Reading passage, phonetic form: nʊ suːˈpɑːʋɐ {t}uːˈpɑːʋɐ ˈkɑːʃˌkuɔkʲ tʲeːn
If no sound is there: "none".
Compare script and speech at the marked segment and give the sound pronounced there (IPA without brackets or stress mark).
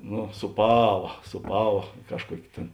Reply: s